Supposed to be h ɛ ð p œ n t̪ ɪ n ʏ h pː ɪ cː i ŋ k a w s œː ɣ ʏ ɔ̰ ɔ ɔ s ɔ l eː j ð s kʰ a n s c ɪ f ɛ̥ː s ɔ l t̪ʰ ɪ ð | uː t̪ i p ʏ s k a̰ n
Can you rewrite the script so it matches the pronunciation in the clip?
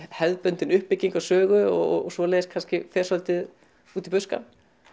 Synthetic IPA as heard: h ɛ ð p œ n t̪ ɪ n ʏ h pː ɪ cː i ŋ k a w s œː ɣ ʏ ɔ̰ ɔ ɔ s ɔ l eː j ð s kʰ a n s c ɪ f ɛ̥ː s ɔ l t̪ ɪ ð | uː t̪ i p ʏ s k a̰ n